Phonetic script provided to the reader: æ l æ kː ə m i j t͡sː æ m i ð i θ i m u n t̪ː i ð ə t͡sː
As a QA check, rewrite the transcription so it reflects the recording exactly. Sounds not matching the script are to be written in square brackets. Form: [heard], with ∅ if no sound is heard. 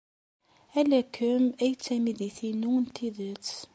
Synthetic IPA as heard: æ l æ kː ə m [æ] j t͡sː æ m i ð i θ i [n] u n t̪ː i ð ə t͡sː